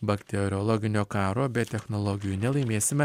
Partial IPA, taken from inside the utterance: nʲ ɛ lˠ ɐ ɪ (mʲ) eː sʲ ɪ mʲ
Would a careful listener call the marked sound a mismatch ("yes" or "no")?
no